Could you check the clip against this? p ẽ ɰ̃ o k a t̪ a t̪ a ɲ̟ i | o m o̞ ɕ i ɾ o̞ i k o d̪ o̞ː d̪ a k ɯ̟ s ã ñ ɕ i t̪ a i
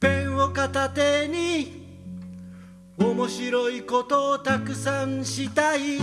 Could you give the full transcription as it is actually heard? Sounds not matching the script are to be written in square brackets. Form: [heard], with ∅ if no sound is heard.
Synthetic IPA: p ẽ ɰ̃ o k a t̪ a t̪ [e] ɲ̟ i | o m o̞ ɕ i ɾ o̞ i k o [t̪] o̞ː [t̪] a k ɯ̟ s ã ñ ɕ i t̪ a i

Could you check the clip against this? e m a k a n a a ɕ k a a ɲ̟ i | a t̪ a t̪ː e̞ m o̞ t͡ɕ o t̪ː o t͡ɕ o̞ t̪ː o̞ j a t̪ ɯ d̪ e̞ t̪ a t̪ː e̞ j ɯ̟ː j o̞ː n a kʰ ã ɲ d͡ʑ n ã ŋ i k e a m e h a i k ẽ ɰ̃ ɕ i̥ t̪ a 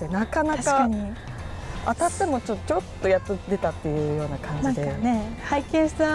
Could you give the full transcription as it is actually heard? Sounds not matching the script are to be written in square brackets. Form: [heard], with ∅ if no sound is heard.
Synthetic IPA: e [n] a k a n a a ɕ k a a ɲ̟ i | a t̪ a t̪ː e̞ m o̞ t͡ɕ o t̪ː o t͡ɕ o̞ t̪ː o̞ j a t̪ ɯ d̪ e̞ t̪ a t̪ː e̞ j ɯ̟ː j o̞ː n a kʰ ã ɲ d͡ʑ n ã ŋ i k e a [n] e h a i k ẽ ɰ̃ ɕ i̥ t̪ a

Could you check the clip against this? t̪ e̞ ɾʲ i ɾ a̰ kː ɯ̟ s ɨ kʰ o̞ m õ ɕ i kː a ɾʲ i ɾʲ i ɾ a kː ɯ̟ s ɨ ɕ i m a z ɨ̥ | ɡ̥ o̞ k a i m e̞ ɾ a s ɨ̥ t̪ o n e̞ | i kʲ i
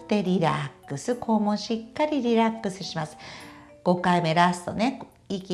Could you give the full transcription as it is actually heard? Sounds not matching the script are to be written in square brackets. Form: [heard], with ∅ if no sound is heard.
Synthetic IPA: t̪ e̞ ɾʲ i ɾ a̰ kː ɯ̟ s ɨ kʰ o̞ m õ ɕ i kː a ɾʲ i ɾʲ i ɾ a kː ɯ̟ s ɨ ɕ i m a [s] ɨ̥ | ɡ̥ o̞ k a i m e̞ ɾ a s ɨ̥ t̪ o n e̞ | i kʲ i

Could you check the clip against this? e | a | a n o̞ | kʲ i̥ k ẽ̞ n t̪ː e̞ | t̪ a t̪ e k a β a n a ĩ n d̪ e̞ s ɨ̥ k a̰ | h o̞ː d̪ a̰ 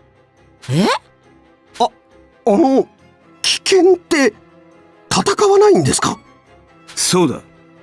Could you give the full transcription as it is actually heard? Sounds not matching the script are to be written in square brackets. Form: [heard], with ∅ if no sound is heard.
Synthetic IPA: e | a | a n o̞ | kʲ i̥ k ẽ̞ n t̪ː e̞ | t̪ a t̪ [a] k a β a n a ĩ n d̪ e̞ s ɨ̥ k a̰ | [s] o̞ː d̪ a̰

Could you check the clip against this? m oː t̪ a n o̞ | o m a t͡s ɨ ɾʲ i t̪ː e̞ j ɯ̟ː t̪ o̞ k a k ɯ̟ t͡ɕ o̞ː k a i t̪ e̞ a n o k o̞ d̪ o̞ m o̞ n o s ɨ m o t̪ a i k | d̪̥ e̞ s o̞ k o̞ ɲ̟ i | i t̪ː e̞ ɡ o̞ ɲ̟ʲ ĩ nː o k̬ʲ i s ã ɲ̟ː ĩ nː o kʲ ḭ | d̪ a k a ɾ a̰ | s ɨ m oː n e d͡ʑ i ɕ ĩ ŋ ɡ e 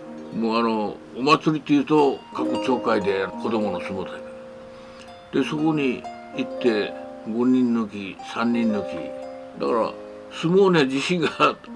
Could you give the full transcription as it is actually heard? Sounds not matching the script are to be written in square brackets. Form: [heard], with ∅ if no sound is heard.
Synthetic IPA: m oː [∅] a n o̞ | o m a t͡s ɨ ɾʲ i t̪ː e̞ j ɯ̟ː t̪ o̞ k a k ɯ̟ t͡ɕ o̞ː k a i [d̪] e̞ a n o k o̞ d̪ o̞ m o̞ n o s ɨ m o t̪ a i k | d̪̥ e̞ s o̞ k o̞ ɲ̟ i | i t̪ː e̞ ɡ o̞ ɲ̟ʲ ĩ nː o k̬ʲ i s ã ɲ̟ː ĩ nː o kʲ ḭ | d̪ a k a ɾ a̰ | s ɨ m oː n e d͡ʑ i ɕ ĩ ŋ ɡ [a]

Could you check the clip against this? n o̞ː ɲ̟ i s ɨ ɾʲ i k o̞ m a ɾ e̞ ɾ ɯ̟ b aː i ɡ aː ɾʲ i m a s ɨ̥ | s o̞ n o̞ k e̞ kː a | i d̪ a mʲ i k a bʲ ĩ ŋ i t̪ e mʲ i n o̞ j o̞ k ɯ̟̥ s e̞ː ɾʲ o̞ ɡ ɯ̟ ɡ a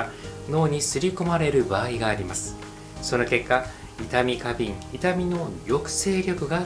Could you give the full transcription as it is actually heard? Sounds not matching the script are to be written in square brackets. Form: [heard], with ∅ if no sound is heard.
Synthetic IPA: n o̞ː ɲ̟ i s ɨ ɾʲ i k o̞ m a ɾ e̞ ɾ ɯ̟ b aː i ɡ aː ɾʲ i m a s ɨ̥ | s o̞ n o̞ k e̞ kː a | i [t̪] a mʲ i k a bʲ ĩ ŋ i t̪ [a] mʲ i n o̞ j o̞ k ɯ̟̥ s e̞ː ɾʲ o̞ [k] ɯ̟ ɡ a

